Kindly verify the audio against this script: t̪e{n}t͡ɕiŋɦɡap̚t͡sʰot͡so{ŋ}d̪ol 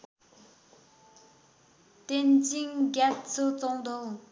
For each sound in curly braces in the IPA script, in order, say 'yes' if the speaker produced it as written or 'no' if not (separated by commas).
yes, yes